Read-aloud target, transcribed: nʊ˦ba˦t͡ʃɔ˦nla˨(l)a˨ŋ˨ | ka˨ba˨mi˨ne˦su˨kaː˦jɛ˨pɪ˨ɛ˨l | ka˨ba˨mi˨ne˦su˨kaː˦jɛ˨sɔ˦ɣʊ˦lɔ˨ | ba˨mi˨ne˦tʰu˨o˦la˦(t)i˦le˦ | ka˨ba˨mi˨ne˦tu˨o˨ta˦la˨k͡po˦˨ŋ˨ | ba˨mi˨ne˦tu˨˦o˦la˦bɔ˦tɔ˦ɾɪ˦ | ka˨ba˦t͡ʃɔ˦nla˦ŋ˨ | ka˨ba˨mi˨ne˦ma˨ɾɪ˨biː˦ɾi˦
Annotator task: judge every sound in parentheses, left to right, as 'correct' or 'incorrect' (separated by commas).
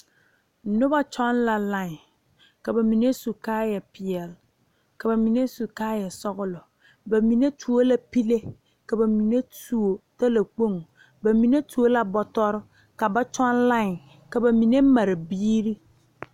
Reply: correct, incorrect